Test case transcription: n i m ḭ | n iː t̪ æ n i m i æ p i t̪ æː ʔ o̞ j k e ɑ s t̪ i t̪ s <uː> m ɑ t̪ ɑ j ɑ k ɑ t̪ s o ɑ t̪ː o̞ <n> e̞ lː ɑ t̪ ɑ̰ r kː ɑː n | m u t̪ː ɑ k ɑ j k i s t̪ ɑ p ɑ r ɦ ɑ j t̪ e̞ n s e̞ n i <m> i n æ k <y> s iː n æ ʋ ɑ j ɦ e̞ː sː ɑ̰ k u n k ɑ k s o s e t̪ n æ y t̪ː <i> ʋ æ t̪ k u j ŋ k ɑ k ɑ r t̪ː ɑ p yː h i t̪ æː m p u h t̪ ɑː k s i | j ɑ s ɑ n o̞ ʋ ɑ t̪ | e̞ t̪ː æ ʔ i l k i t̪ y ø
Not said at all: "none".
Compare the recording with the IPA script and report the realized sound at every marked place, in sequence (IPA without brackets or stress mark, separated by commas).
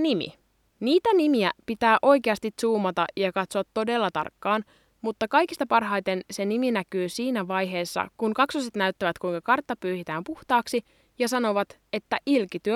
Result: uː, d, m, yː, æ